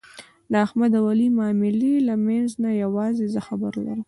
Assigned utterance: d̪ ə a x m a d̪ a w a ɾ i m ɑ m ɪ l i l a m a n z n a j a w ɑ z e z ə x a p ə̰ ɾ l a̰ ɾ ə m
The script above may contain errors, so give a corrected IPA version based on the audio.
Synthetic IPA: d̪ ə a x m a d̪ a w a l i m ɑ m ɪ l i l a m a n z n a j a w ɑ z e z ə x a b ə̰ ɾ l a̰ ɾ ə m